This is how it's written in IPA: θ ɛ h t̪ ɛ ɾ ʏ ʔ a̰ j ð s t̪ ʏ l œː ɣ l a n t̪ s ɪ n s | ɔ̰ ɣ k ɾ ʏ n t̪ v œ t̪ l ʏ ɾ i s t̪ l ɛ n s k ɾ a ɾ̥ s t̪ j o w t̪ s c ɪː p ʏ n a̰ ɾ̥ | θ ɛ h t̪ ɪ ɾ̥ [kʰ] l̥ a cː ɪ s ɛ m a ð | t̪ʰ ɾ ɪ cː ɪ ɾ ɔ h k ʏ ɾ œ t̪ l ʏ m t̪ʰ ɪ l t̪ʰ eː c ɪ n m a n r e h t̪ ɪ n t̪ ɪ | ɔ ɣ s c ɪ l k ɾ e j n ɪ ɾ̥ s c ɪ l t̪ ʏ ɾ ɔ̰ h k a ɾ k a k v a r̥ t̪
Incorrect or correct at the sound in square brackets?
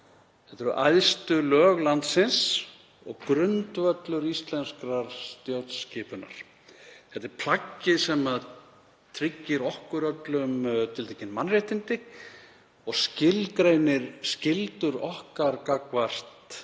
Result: incorrect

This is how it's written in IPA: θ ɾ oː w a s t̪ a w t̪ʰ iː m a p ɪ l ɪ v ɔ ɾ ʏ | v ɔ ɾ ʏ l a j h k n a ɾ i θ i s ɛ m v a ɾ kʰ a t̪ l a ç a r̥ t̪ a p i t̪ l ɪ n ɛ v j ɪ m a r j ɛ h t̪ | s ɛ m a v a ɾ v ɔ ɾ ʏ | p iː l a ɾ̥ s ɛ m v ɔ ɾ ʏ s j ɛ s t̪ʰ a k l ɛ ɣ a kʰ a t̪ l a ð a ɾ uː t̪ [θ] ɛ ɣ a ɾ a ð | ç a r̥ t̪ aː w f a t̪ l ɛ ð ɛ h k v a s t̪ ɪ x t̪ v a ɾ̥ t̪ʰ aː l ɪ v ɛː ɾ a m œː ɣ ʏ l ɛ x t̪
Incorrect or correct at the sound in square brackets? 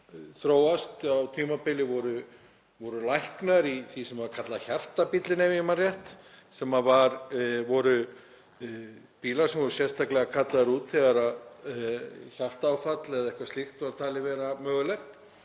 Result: correct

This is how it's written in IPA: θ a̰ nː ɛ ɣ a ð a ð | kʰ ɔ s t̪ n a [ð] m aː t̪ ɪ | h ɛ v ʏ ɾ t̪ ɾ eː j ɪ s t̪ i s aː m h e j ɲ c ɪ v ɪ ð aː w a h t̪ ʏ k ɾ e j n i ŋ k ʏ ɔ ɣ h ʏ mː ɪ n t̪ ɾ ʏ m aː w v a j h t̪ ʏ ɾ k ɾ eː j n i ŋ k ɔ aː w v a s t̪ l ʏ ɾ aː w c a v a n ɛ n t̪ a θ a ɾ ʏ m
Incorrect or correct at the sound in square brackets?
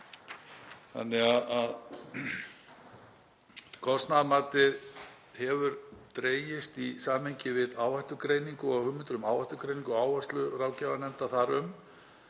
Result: correct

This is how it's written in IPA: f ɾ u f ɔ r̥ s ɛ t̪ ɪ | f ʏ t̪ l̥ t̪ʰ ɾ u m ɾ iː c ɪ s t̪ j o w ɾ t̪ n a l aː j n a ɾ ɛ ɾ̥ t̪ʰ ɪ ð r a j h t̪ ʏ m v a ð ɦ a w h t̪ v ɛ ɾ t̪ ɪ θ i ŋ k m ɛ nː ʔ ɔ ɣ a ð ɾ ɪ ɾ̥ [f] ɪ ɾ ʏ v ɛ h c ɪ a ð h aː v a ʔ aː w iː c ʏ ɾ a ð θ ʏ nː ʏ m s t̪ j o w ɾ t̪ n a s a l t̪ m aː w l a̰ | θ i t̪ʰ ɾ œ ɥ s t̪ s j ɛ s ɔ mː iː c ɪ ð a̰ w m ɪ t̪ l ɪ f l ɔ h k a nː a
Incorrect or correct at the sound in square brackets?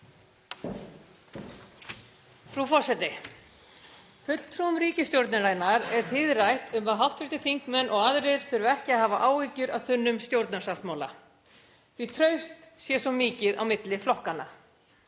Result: incorrect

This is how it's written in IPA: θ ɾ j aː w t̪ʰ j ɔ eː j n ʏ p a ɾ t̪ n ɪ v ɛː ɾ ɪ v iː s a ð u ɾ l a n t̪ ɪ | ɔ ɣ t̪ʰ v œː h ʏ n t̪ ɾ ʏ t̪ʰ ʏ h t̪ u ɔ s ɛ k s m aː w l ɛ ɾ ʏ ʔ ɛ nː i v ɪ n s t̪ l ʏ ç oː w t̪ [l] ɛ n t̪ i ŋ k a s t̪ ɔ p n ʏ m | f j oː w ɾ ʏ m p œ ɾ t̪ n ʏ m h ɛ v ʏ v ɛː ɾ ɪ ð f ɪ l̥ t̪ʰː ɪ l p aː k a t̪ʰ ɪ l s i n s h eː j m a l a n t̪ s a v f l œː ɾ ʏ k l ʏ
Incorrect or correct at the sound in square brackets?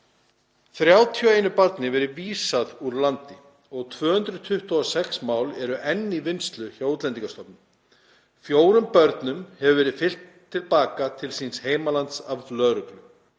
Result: correct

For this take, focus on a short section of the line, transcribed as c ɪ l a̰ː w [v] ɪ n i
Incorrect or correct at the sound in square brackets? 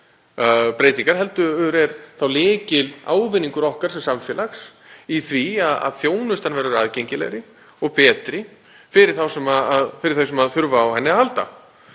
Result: correct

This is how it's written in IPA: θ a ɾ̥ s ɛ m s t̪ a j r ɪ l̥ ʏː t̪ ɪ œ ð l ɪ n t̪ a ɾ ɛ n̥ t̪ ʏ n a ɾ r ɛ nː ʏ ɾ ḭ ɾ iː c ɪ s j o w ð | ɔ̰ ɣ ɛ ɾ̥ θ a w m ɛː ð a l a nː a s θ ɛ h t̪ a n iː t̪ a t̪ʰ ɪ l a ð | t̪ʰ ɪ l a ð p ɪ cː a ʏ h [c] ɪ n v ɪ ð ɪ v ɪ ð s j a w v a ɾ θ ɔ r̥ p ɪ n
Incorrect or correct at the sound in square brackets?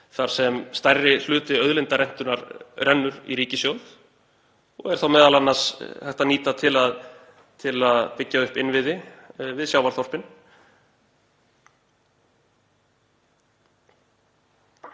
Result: incorrect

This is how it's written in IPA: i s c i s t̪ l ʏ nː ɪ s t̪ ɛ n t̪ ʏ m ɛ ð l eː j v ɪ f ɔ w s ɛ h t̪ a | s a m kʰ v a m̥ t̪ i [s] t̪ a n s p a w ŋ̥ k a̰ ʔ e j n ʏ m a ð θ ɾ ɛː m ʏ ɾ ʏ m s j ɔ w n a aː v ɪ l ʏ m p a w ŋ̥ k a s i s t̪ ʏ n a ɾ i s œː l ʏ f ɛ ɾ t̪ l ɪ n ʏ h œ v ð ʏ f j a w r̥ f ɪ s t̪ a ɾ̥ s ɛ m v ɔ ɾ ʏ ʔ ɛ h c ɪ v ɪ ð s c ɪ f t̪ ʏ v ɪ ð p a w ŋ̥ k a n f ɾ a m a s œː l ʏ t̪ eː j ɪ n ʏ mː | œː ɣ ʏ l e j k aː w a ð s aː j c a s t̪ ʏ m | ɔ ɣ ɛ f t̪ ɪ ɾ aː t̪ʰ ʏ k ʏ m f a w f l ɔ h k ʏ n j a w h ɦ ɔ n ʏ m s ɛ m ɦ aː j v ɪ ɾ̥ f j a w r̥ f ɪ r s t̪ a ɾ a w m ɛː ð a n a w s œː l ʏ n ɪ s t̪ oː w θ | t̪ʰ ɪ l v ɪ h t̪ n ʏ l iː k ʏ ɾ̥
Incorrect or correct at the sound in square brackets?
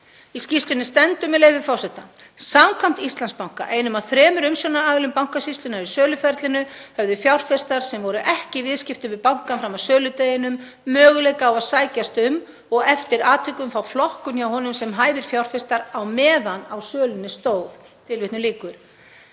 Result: correct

